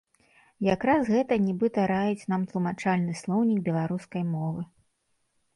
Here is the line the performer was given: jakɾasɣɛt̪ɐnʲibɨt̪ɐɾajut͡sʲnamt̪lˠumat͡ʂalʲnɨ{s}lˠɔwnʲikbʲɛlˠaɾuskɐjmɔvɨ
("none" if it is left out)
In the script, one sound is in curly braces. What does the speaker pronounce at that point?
s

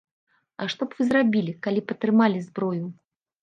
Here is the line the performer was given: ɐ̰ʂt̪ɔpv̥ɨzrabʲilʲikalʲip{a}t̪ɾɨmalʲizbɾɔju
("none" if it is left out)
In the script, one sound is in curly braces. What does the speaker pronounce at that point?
ɐ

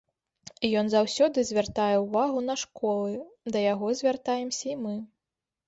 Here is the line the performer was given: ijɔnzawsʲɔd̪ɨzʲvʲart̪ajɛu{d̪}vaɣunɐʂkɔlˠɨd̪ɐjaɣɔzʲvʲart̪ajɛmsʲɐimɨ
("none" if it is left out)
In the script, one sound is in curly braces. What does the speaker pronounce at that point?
none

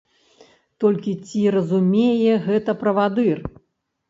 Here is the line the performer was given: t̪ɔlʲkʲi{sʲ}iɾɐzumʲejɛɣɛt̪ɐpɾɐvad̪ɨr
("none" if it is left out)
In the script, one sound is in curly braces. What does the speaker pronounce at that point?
t͡sʲ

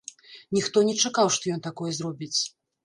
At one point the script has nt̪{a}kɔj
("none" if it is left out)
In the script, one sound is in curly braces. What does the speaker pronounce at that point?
a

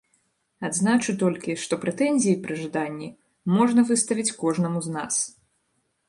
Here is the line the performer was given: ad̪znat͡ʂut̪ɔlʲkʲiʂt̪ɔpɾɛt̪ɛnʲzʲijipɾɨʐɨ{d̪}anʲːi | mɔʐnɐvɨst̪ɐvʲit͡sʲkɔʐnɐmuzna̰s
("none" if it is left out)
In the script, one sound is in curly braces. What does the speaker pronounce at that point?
d̪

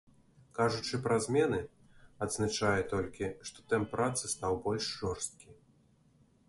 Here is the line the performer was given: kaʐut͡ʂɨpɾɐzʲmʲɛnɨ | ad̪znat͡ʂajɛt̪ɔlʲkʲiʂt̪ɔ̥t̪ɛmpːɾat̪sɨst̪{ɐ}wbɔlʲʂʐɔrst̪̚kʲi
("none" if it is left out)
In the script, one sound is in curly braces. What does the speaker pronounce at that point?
a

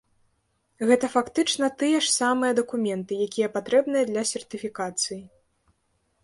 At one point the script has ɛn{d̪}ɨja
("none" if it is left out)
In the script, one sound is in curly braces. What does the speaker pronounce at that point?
t̪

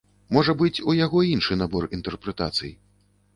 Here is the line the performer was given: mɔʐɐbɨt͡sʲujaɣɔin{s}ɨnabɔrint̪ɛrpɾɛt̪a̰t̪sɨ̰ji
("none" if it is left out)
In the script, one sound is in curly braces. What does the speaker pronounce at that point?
ʂ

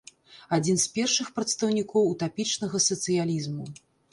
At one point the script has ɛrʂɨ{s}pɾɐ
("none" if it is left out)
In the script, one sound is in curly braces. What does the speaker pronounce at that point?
x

